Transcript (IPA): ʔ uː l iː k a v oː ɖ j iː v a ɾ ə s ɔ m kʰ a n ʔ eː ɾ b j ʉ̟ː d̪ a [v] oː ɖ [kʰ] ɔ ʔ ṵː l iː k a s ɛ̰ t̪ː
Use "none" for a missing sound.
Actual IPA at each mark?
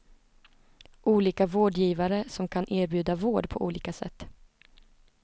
v, pʰ

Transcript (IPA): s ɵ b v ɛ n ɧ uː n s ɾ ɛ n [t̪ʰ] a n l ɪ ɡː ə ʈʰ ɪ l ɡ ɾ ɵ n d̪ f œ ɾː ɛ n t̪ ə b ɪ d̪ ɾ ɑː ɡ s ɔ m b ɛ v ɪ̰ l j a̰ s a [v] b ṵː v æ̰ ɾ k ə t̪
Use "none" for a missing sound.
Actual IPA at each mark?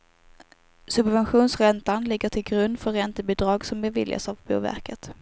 t̪, v

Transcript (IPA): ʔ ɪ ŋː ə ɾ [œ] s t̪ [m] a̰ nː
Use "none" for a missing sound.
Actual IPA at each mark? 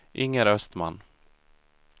œ, m

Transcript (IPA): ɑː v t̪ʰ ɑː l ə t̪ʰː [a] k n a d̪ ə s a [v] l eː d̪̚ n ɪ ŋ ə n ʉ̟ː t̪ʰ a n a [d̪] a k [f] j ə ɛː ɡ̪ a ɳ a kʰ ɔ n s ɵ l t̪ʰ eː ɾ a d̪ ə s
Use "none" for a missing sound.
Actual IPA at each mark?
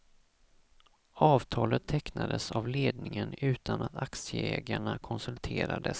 ɛ, v, t̪, s

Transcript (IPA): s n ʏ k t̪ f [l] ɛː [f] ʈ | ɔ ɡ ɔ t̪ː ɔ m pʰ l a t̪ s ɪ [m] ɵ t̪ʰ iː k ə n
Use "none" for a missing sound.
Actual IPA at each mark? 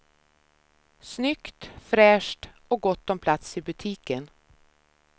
ɾ, ʂ, b

